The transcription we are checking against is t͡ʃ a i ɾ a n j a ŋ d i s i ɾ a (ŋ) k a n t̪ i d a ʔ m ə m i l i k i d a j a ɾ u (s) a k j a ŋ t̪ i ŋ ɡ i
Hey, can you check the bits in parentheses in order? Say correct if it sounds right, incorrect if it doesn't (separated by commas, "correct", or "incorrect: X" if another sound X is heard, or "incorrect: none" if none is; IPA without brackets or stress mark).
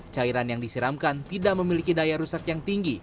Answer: incorrect: m, correct